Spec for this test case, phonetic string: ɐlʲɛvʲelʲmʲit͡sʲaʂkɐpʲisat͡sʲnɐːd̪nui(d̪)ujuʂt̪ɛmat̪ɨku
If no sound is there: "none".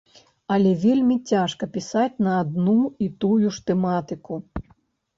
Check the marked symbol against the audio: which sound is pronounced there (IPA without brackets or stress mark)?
t̪